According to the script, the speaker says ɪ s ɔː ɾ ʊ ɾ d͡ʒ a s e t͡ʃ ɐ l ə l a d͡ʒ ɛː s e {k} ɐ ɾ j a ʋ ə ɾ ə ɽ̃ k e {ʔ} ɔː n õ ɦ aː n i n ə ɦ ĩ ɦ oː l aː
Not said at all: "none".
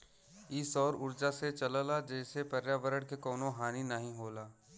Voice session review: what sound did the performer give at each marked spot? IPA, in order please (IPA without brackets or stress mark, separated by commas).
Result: p, k